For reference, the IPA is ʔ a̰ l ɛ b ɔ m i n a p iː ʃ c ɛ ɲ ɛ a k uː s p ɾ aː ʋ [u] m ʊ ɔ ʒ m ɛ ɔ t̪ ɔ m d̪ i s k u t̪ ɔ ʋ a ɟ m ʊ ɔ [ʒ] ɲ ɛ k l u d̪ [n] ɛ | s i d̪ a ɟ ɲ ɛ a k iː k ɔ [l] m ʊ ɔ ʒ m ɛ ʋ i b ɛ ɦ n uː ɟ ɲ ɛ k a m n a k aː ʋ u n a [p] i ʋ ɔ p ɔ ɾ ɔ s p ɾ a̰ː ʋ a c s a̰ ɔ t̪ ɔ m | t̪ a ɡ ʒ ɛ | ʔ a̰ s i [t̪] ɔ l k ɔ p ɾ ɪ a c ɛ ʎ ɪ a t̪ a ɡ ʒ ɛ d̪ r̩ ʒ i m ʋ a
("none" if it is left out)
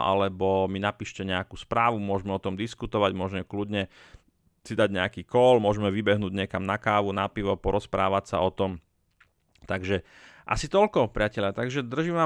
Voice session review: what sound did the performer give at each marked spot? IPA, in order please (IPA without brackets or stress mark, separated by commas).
u, ʒ, ɲ, l, p, t̪